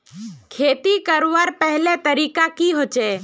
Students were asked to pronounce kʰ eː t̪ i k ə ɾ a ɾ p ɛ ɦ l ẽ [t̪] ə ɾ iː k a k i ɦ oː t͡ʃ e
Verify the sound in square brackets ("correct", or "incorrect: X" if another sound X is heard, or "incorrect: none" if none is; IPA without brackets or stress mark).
correct